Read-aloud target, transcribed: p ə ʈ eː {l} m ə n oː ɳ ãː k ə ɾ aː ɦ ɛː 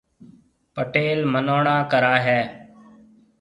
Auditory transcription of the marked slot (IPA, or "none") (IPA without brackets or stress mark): l